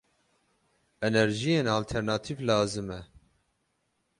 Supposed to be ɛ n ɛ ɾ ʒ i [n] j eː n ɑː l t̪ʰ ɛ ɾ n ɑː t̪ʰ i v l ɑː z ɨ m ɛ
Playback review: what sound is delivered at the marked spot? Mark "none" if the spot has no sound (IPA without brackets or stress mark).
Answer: none